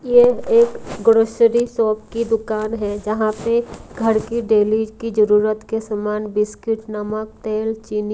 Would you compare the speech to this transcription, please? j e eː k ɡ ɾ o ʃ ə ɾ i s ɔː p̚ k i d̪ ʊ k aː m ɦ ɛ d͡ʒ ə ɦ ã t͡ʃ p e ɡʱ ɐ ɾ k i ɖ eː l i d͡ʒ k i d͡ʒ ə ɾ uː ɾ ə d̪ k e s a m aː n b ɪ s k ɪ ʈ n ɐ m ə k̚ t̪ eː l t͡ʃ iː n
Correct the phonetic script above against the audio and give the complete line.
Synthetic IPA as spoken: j e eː k ɡ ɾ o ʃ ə ɾ i s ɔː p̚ k i d̪ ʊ k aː n ɦ ɛ d͡ʒ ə ɦ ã p e ɡʱ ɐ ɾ k i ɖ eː l i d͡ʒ k i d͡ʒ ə ɾ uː ɾ ə t̪ k e s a m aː n b ɪ s k ɪ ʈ n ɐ m ə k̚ t̪ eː l t͡ʃ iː n